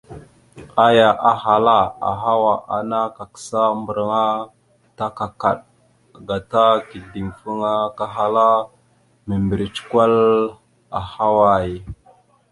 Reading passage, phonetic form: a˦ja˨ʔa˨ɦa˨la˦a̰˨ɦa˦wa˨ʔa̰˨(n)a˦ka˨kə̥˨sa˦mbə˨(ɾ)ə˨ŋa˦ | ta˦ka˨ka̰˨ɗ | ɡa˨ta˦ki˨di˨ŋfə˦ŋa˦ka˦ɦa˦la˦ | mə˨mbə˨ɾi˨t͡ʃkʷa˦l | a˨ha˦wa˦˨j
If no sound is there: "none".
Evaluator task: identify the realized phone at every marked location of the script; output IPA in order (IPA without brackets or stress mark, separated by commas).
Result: n, ɾ